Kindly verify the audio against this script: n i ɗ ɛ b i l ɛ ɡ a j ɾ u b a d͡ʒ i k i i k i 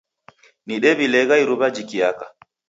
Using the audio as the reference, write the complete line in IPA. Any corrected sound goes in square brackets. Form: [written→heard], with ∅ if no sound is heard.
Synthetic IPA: n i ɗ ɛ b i l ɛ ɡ a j ɾ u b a d͡ʒ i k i [i→a] k [i→a]